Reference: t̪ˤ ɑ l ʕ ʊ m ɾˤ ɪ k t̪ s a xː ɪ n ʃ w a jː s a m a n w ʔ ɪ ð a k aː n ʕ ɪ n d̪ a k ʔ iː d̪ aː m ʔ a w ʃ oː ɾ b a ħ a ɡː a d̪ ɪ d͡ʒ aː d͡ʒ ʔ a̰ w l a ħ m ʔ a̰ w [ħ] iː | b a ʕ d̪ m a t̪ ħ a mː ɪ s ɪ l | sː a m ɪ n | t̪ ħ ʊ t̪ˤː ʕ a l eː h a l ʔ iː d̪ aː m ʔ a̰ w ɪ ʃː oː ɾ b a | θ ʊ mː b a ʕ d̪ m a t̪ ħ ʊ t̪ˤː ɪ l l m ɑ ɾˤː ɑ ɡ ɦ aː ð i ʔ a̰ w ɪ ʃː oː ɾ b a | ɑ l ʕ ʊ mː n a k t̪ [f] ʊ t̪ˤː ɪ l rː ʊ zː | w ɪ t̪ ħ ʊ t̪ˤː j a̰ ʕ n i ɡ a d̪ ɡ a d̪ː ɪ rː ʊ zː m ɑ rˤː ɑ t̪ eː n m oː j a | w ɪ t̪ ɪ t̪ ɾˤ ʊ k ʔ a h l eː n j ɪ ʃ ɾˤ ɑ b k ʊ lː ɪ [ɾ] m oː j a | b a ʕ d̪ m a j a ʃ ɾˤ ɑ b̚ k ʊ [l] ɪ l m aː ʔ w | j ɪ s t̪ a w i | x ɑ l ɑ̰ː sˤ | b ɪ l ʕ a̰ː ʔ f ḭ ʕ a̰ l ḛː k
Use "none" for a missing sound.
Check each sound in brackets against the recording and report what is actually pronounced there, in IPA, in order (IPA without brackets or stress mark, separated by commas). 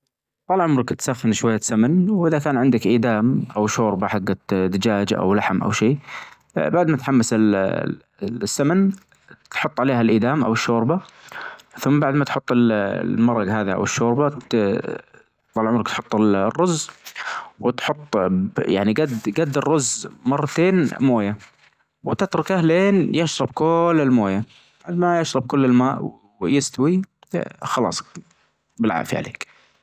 ʃ, ħ, l, lː